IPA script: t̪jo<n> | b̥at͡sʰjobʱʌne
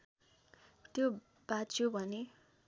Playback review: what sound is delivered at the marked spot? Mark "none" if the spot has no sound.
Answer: none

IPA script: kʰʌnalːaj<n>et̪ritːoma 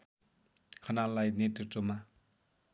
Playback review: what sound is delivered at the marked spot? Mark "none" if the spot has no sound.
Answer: n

